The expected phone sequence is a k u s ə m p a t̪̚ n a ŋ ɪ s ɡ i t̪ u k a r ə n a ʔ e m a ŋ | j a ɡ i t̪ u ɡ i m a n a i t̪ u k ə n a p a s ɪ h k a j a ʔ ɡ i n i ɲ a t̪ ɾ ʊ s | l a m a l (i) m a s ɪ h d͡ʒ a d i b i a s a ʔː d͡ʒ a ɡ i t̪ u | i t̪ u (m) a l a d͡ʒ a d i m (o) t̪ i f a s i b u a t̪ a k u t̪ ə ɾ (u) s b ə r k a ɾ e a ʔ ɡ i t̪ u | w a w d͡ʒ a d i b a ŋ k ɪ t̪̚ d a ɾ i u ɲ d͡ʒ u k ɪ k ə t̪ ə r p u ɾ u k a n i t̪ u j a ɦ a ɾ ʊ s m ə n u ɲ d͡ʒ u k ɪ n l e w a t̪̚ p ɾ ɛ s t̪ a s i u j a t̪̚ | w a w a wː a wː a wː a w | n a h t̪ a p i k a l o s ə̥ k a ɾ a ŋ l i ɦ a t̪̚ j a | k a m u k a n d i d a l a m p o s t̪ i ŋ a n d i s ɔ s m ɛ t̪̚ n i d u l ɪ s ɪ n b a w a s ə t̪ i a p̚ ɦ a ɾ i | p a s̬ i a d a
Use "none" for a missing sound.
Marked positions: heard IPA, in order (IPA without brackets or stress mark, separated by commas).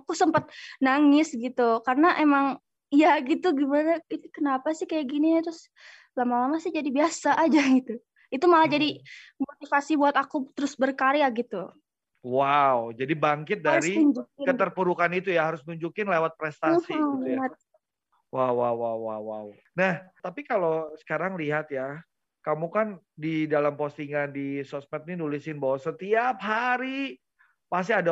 a, m, o, ʊ